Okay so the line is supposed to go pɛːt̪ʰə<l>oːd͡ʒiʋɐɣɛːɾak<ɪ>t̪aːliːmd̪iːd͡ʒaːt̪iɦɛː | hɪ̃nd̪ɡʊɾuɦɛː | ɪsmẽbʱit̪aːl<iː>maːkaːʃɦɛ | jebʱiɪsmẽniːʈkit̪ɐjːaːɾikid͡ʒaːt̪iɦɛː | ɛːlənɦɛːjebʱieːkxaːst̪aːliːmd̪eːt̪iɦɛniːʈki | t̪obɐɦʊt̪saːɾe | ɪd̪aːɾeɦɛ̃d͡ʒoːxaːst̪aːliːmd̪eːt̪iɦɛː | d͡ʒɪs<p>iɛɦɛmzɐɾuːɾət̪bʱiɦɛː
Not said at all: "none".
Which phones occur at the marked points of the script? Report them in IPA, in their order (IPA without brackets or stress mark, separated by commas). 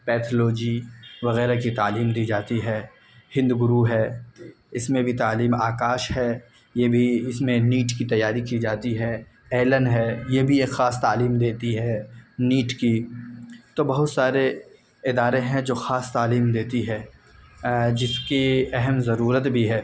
l, i, iː, k